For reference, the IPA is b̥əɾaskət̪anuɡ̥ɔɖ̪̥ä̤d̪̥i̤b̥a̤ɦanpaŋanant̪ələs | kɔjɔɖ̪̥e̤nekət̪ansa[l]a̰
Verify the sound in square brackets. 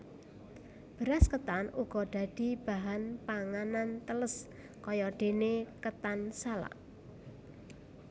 correct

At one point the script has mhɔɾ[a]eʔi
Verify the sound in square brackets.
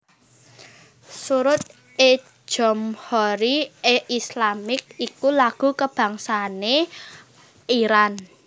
incorrect: i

